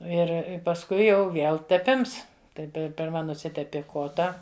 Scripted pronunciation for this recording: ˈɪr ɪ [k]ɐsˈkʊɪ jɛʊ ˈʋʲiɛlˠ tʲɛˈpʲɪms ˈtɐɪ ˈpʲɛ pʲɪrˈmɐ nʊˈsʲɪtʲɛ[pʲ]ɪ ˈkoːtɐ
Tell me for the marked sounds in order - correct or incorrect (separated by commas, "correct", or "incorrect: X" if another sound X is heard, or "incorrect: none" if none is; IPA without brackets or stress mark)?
incorrect: p, correct